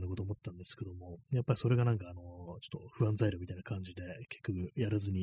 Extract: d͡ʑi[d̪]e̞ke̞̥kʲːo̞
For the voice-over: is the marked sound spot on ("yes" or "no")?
yes